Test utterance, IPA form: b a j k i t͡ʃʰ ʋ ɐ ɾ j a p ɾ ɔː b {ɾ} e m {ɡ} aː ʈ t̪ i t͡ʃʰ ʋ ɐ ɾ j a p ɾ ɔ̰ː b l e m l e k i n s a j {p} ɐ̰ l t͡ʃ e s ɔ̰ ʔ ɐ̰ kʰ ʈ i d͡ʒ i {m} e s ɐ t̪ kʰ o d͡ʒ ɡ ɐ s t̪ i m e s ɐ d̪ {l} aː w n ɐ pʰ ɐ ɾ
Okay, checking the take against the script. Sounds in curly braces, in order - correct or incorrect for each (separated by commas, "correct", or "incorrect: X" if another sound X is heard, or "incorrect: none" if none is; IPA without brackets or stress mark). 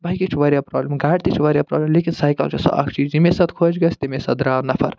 incorrect: l, correct, incorrect: k, correct, incorrect: ɾ